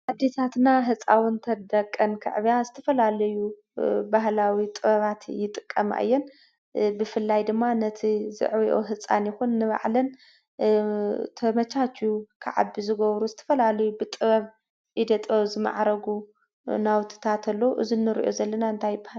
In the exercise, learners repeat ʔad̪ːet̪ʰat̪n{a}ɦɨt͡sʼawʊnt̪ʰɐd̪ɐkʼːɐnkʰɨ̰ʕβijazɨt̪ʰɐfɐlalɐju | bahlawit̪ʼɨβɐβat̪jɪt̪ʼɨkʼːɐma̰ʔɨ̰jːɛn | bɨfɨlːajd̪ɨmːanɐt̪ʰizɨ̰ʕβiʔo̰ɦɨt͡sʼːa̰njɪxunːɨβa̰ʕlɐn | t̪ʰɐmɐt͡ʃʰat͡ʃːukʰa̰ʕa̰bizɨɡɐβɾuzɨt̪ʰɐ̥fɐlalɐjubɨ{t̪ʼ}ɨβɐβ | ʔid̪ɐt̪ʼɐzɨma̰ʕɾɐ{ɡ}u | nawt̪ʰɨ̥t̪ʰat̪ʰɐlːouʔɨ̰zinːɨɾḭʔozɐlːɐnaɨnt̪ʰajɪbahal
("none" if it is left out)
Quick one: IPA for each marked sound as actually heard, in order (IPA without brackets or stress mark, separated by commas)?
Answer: a, t̪ʼ, ɡ